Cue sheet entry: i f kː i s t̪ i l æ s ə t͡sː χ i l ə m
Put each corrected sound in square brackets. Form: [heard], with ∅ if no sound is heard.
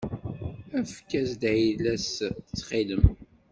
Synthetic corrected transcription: [æ] f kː [æ] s [d̪] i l æ s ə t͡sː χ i l ə m